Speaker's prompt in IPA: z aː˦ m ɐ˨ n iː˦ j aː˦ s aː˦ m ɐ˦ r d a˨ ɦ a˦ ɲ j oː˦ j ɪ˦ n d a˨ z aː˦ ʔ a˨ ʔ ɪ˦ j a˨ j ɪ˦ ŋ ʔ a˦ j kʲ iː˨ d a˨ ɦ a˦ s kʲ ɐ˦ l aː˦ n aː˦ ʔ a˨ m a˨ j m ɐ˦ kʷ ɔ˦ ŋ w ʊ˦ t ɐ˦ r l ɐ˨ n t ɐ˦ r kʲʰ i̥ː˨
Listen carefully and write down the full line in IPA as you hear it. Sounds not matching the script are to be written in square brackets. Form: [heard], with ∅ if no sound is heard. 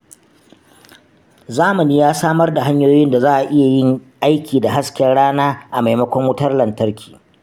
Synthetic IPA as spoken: z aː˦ m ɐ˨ n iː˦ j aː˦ s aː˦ m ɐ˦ r d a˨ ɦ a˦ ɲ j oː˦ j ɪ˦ n d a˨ z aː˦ ʔ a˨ ʔ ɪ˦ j a˨ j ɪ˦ ŋ ʔ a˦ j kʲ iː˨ d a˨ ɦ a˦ s kʲ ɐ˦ [ɽ] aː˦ n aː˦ ʔ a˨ m a˨ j m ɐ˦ kʷ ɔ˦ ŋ w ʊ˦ t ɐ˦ r l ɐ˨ n t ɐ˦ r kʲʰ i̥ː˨

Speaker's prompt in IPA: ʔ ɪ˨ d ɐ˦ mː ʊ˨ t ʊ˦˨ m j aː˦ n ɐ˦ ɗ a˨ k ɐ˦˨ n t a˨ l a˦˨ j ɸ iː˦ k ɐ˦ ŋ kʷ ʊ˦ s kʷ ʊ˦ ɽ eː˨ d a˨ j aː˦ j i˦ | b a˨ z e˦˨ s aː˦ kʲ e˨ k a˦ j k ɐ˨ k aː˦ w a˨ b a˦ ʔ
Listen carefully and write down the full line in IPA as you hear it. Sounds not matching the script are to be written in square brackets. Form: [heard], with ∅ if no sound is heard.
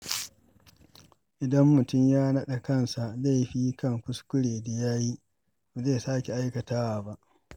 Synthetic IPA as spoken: ʔ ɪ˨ d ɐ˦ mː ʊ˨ t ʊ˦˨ m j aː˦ n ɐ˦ ɗ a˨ k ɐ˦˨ n [s] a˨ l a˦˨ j ɸ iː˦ k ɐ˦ ŋ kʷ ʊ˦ s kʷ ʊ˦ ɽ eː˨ d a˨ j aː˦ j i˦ | b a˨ z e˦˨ s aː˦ kʲ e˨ [ʔ] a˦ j k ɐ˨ [t] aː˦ w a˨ b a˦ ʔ

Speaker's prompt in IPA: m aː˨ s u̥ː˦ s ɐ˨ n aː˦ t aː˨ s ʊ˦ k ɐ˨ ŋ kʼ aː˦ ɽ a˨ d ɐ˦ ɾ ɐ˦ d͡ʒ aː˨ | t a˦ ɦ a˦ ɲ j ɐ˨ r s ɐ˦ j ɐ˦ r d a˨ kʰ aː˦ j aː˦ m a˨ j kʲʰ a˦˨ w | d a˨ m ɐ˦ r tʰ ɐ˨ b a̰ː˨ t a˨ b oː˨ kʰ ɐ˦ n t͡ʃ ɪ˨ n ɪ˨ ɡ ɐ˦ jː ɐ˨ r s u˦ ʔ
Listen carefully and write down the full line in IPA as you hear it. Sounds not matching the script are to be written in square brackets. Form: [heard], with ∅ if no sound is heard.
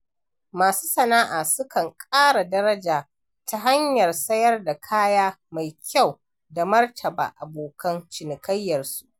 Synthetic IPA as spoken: m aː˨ s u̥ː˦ s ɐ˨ n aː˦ [ʔ] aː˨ s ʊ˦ k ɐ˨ ŋ kʼ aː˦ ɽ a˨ d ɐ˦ ɾ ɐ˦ d͡ʒ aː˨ | t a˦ ɦ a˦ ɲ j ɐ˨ r s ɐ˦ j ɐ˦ r d a˨ kʰ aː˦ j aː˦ m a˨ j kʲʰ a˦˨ w | d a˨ m ɐ˦ r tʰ ɐ˨ b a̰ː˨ [ʔ] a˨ b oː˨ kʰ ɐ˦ n t͡ʃ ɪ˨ n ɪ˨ [k] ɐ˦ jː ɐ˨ r s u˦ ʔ

